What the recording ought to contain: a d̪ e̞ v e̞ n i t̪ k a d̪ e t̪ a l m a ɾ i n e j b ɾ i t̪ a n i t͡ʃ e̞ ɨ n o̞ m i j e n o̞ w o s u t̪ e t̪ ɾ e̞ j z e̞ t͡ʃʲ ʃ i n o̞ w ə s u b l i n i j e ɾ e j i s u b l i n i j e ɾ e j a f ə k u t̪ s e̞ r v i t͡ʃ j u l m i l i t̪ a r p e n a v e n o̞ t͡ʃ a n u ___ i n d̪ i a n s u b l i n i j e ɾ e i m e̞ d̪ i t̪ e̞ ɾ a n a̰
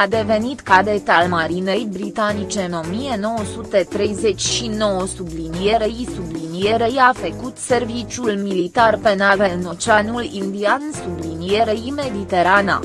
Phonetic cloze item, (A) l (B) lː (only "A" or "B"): A